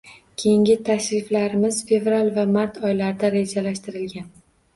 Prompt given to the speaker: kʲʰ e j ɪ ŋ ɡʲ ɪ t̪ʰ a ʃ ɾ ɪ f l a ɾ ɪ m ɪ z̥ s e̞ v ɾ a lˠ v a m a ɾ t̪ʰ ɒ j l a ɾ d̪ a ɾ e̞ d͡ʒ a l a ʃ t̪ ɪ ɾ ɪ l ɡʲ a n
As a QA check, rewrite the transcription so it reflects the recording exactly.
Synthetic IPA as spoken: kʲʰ e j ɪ ŋ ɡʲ ɪ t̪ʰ a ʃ ɾ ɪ f l a ɾ ɪ m ɪ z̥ f e̞ v ɾ a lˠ v a m a ɾ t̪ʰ ɒ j l a ɾ d̪ a ɾ e̞ d͡ʒ a l a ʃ t̪ ɪ ɾ ɪ l ɡʲ a n